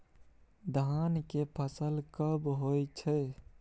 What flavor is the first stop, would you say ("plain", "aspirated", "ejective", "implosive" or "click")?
plain